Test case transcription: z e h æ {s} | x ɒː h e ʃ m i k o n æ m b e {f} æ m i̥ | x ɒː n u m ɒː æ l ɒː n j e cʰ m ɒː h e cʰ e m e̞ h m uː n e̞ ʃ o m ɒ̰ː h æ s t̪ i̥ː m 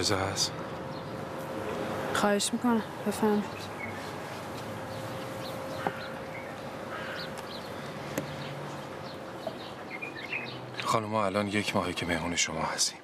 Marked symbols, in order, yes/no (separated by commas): yes, yes